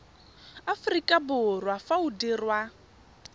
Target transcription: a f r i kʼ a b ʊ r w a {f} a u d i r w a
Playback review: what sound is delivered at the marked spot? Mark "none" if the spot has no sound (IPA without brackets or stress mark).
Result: f